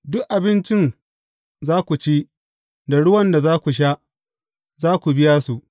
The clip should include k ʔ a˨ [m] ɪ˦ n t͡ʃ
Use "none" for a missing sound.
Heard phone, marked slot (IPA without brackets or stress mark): b